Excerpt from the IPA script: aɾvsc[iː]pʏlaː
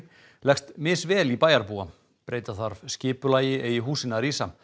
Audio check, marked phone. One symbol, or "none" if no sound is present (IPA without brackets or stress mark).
ɪː